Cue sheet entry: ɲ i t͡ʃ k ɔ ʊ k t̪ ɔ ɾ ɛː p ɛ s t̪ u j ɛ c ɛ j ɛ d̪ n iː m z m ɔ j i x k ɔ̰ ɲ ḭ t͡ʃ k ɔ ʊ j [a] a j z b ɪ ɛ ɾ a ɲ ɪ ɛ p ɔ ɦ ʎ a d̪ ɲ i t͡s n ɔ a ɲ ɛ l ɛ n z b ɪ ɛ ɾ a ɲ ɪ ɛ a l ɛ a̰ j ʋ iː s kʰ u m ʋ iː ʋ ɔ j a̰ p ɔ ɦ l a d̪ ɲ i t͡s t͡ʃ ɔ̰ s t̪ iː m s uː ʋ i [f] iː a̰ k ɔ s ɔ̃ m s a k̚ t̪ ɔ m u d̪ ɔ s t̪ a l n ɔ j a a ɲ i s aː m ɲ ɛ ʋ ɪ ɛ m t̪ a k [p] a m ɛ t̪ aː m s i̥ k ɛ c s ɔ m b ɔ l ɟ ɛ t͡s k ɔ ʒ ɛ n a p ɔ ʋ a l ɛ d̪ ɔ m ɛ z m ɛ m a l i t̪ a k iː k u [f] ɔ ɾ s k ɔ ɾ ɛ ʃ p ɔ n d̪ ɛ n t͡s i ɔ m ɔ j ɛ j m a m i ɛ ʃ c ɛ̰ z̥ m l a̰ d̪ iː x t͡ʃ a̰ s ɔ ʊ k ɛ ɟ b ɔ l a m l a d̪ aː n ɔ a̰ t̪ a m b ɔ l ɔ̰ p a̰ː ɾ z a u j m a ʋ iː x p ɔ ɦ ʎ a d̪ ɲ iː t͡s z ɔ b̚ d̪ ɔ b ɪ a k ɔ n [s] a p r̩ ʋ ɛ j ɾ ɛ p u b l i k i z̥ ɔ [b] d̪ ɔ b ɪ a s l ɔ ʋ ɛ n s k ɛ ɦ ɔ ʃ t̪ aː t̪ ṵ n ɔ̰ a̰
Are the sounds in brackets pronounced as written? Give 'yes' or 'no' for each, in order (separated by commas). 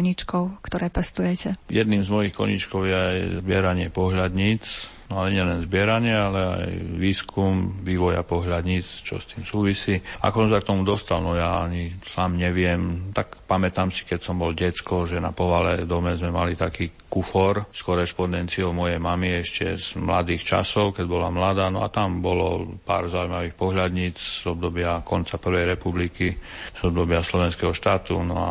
no, no, yes, yes, no, yes